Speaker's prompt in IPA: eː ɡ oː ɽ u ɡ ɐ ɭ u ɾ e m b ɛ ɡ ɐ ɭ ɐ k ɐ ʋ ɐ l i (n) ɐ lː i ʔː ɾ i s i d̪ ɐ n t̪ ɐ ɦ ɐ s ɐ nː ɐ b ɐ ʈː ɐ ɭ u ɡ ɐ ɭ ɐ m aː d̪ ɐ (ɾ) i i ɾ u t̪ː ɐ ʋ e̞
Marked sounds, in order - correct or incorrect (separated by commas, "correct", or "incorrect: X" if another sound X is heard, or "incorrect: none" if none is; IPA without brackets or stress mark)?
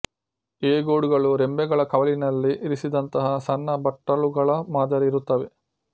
correct, correct